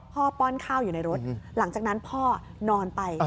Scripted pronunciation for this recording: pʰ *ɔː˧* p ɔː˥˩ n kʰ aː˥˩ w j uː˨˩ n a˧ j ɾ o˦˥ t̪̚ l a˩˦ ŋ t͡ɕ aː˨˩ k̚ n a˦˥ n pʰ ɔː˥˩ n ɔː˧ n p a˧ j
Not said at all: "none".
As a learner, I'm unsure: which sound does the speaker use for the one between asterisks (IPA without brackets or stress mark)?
ɔː˥˩